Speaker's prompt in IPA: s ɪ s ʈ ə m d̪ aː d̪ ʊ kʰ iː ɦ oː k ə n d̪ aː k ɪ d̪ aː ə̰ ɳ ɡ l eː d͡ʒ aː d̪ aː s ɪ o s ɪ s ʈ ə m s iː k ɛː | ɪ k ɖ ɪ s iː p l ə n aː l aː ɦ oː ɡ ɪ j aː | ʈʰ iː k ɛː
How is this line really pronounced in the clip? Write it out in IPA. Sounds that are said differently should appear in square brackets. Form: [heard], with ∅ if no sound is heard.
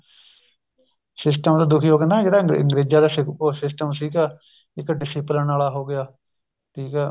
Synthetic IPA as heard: s ɪ s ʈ ə m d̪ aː d̪ ʊ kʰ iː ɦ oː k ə n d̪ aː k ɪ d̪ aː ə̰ [ŋ] ɡ [ɾ] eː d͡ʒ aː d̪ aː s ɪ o s ɪ s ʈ ə m s iː k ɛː | ɪ k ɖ ɪ s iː p l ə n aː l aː ɦ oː ɡ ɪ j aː | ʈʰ iː k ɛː